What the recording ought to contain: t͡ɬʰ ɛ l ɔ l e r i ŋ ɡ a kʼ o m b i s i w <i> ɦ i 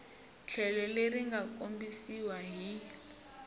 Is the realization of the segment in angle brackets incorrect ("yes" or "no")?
yes